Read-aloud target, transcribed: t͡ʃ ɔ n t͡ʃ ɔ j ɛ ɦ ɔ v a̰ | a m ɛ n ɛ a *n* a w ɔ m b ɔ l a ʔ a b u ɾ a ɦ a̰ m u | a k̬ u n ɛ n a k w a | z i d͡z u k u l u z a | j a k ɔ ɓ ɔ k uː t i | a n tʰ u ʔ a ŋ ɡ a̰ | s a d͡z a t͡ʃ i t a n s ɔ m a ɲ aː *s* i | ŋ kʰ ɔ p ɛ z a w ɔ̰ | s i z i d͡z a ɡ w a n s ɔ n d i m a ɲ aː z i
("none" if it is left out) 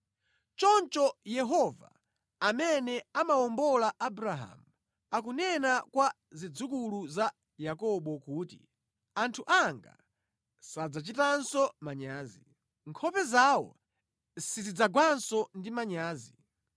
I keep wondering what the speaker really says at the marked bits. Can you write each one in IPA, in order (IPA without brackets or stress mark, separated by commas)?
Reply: m, z